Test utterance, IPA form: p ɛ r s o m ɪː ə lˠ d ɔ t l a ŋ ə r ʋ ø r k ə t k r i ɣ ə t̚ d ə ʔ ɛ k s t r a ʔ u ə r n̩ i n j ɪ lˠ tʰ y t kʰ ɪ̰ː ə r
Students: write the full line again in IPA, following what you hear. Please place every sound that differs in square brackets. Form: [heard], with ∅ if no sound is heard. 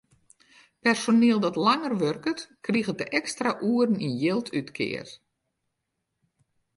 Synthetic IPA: p ɛ r s o [n] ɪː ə lˠ d ɔ t l a ŋ ə r ʋ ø r k ə t k r i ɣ ə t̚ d ə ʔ ɛ k s t r a ʔ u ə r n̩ i n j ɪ lˠ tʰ y t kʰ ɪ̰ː ə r